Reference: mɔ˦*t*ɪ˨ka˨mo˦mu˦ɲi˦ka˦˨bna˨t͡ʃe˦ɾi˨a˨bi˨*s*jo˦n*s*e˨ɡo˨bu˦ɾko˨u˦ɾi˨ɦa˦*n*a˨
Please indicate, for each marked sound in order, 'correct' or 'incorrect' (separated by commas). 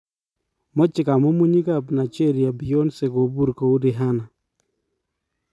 incorrect, incorrect, correct, correct